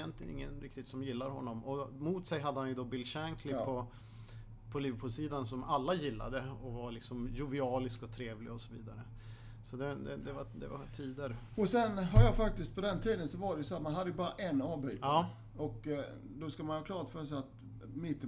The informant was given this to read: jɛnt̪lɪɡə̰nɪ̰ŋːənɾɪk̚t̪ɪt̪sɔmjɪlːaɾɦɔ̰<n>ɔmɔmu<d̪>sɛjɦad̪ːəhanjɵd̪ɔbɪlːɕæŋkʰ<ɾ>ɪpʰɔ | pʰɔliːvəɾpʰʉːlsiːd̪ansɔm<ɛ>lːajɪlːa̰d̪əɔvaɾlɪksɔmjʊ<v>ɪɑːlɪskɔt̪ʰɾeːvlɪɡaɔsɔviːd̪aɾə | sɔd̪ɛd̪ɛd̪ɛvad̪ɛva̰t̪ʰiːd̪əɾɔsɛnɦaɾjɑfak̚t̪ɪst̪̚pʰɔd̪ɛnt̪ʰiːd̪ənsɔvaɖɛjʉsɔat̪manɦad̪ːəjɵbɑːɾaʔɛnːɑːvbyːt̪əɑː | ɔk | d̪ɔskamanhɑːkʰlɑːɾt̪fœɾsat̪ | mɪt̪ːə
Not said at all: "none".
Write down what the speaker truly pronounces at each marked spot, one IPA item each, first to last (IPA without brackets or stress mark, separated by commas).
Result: nː, t̪, l, a, v